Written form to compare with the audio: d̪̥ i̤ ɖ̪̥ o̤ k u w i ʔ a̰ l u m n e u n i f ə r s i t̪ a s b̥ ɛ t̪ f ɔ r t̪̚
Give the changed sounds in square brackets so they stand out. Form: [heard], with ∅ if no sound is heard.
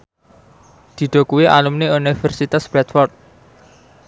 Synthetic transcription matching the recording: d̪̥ i̤ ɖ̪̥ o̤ k u w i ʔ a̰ l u m n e u n i f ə r s i t̪ a s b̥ ɛ t̪ f ɔ r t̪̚